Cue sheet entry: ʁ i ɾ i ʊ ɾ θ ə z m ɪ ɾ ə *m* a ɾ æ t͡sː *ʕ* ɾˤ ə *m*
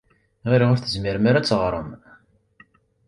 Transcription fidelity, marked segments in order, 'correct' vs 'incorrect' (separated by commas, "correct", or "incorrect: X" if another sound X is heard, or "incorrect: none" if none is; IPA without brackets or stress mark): correct, incorrect: ʁ, correct